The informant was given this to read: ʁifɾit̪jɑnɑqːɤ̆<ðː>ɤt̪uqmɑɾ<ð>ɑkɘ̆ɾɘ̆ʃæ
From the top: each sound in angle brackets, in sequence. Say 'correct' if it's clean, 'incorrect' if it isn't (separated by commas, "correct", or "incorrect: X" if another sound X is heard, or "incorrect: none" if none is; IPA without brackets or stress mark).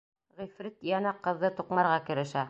correct, incorrect: ʁ